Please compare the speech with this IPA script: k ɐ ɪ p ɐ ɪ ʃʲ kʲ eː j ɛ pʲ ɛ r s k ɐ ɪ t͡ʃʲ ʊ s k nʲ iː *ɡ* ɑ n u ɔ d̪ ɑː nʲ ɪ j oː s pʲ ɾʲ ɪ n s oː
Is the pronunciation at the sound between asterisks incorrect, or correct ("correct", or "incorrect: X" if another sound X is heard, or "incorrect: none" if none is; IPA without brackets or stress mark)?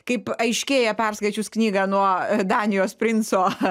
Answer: correct